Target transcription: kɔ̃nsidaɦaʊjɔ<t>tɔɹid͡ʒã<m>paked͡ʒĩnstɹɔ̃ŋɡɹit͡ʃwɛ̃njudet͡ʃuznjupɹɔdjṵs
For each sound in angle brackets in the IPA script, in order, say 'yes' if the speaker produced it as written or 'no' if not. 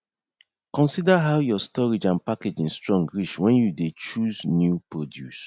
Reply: no, no

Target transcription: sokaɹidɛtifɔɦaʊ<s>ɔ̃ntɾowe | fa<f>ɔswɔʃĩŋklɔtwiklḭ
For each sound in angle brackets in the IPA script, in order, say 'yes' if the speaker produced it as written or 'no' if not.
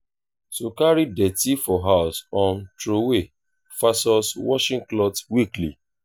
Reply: yes, no

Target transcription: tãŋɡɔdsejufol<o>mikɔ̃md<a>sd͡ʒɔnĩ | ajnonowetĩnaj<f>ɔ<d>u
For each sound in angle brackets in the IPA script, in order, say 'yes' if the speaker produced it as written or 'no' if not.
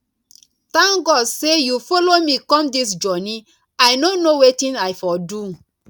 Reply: yes, no, yes, yes

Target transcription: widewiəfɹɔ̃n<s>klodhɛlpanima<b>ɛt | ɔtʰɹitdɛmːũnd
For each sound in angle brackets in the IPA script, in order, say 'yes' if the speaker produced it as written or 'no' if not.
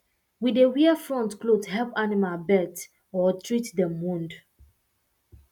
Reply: no, yes

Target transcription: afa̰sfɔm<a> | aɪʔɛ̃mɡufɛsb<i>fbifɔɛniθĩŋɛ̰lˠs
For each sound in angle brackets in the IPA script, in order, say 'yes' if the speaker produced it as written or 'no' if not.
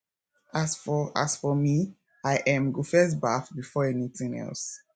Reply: no, no

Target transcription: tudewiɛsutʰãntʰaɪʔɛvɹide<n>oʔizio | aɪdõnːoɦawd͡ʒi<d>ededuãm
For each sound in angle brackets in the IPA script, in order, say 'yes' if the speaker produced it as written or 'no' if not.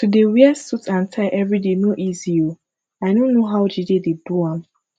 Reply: yes, yes

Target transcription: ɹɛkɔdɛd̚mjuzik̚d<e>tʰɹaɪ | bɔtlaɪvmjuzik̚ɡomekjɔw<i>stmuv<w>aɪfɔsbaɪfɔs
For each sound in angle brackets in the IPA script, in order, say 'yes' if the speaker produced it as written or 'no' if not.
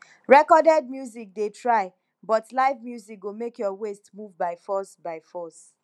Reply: yes, no, no

